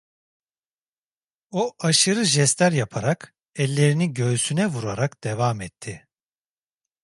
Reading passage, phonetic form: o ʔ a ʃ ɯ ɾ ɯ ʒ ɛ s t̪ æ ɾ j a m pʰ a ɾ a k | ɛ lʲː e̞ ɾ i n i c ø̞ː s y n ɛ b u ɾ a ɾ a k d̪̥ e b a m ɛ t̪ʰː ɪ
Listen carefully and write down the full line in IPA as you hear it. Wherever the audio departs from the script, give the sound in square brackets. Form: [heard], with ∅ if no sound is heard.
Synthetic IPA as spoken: o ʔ a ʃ ɯ ɾ ɯ ʒ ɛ s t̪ æ ɾ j a [∅] pʰ a ɾ a k | ɛ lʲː e̞ ɾ i n i [ɟ] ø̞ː s y n ɛ [v] u ɾ a ɾ a k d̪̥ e [v] a m ɛ t̪ʰː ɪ